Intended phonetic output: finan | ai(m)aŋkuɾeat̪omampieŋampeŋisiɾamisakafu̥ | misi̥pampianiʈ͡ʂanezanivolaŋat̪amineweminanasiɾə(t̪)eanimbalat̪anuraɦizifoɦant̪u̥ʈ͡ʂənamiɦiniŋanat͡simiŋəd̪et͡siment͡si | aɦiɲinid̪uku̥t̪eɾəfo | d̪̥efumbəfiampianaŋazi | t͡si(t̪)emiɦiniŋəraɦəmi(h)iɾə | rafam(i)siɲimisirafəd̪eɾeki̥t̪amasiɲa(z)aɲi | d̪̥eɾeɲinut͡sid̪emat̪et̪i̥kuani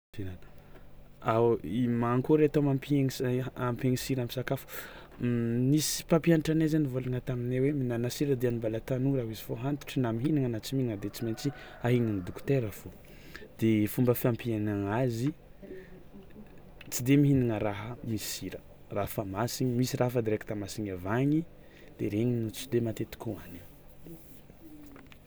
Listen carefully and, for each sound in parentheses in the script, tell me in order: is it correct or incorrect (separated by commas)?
correct, incorrect, incorrect, incorrect, incorrect, incorrect